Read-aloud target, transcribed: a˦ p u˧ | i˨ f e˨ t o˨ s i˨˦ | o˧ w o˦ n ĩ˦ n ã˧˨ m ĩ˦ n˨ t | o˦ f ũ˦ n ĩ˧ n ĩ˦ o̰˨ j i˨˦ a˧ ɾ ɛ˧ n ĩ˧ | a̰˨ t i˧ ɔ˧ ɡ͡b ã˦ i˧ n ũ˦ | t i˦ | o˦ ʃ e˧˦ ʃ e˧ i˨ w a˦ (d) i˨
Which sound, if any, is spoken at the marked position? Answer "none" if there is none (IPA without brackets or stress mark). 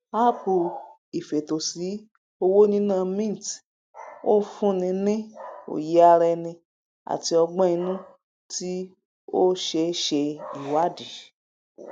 d